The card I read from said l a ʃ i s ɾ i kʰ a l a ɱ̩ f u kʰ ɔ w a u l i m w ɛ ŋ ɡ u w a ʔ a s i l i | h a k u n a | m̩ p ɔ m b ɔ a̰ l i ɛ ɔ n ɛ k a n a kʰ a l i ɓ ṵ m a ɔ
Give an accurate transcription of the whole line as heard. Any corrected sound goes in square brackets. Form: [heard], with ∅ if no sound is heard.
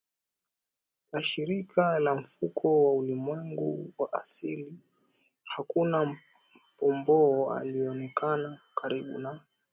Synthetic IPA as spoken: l a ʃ i [∅] ɾ i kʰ a l a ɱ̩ f u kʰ ɔ w a u l i m w ɛ ŋ ɡ u w a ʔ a s i l i | h a k u n a | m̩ p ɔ m b ɔ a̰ l i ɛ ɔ n ɛ k a n a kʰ a [ɾ] i ɓ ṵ [n] a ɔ